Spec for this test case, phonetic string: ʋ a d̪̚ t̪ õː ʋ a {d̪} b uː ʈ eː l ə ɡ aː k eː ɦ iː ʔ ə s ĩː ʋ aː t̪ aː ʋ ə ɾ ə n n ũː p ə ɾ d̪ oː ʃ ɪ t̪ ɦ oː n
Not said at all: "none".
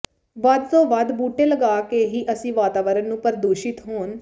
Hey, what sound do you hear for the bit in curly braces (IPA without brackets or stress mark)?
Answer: d̪